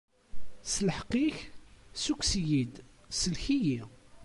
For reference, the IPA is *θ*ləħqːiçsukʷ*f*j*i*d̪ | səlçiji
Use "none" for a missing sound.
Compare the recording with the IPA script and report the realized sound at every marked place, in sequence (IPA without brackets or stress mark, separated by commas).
s, s, i